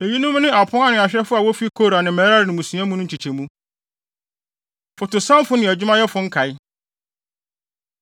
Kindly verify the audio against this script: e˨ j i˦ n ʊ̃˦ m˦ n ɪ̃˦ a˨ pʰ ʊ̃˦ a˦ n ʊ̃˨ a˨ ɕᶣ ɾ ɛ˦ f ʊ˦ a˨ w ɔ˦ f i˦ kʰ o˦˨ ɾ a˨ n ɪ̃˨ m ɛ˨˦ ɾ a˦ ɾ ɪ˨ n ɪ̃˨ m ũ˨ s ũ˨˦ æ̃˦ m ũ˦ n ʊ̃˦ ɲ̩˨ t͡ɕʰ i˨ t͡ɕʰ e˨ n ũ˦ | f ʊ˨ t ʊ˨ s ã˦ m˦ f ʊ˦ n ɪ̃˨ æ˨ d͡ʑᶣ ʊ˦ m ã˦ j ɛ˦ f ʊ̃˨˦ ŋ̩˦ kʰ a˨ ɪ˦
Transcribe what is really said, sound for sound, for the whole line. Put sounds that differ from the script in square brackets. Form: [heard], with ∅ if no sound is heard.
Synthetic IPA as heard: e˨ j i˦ n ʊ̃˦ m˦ n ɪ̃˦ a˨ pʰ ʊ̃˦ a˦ n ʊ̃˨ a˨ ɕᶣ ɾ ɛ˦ f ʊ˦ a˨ w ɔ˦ f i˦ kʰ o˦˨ ɾ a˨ n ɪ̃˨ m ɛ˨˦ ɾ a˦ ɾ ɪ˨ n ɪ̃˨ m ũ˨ s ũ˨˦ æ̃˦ m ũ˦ n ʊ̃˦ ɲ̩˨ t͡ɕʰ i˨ t͡ɕʰ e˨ [m] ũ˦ | f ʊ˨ t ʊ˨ s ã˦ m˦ f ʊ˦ n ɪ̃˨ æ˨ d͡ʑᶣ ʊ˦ m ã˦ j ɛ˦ f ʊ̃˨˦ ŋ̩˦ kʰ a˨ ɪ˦